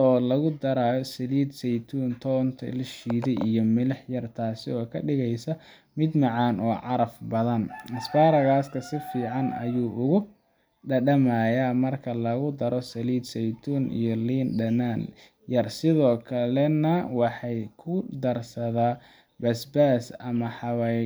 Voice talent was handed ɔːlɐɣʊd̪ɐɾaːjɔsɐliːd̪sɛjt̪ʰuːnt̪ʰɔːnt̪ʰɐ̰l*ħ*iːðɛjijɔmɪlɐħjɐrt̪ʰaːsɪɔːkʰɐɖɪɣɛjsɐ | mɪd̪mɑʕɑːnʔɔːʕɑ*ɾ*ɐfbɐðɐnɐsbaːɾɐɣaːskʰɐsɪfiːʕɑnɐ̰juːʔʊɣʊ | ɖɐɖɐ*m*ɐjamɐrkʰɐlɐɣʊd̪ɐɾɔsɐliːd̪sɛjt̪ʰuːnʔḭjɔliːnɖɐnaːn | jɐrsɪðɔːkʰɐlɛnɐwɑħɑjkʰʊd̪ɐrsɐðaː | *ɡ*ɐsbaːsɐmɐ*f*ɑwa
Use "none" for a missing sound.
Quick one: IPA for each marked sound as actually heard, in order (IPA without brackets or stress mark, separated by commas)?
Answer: ʃ, ɾ, m, b, ħ